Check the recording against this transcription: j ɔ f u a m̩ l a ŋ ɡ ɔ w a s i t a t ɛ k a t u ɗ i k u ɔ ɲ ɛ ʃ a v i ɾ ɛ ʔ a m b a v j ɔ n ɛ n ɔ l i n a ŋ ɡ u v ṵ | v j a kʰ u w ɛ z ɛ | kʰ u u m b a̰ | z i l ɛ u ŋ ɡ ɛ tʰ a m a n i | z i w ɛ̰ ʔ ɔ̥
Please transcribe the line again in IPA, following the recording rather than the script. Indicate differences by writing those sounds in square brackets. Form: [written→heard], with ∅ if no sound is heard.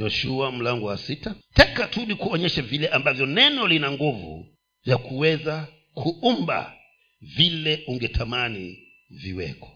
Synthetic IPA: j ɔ [f→ʃ] u a m̩ l a ŋ ɡ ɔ w a s i t a t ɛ k a t u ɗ i k u ɔ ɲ ɛ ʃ a v i [ɾ→l] ɛ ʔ a m b a v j ɔ n ɛ n ɔ l i n a ŋ ɡ u v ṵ | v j a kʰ u w ɛ z [ɛ→a] | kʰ u u m b a̰ | [z→v] i l ɛ u ŋ ɡ ɛ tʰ a m a n i | [z→v] i w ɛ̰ [ʔ→k] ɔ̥